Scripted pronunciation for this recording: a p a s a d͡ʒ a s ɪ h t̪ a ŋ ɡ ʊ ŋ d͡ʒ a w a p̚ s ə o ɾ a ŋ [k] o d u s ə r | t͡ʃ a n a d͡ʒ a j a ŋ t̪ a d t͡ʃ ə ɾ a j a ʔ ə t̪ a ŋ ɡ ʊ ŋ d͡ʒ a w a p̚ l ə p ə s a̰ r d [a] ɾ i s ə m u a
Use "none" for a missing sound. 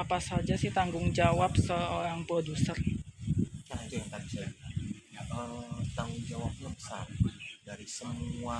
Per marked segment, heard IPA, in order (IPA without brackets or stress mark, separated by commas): p, a